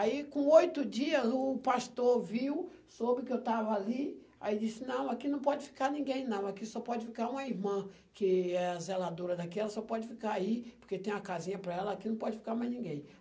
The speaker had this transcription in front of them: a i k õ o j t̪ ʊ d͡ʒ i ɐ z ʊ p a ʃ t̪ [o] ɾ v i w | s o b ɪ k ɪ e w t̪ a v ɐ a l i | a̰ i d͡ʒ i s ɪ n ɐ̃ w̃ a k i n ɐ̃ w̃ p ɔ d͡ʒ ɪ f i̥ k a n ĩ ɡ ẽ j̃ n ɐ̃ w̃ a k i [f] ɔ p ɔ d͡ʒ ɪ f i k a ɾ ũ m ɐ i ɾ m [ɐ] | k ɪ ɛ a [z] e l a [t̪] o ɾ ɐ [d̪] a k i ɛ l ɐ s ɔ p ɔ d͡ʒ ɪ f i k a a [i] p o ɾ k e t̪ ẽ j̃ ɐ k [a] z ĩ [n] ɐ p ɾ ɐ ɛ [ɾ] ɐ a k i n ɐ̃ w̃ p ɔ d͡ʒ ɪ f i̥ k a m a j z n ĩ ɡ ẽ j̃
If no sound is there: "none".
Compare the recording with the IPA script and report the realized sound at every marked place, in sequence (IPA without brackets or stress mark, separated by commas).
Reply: o, s, ɐ̃, z, d̪, d̪, i, a, ɲ, l